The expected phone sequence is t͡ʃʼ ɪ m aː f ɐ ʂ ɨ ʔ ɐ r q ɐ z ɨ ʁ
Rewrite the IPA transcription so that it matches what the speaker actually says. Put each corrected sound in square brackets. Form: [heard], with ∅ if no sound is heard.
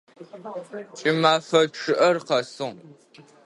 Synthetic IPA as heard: t͡ʃʼ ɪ m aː f ɐ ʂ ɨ ʔ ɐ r q ɐ [s] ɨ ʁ